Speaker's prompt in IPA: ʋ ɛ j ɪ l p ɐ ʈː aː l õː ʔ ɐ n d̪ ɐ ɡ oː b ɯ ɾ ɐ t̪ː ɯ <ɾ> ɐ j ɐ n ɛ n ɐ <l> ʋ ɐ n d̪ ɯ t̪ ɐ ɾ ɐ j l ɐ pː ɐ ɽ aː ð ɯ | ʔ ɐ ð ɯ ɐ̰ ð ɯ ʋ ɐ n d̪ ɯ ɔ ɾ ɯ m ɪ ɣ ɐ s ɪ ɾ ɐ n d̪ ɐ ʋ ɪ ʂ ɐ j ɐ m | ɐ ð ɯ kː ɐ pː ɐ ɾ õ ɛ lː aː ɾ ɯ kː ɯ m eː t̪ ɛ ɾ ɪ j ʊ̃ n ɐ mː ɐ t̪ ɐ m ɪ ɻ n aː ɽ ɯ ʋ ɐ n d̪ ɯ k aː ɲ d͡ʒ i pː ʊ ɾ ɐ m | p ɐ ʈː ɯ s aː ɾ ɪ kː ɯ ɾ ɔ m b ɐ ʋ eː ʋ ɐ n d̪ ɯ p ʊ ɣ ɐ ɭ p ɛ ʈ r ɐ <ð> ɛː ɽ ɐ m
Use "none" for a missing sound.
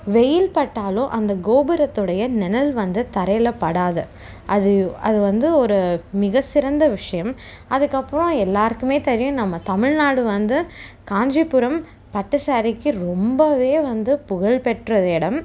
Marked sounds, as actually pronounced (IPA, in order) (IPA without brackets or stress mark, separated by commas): ɽ, l, ð